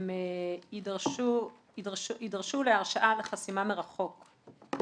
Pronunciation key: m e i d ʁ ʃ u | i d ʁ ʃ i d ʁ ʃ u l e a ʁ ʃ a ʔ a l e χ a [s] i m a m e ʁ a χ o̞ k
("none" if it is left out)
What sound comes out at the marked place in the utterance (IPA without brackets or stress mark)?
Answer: s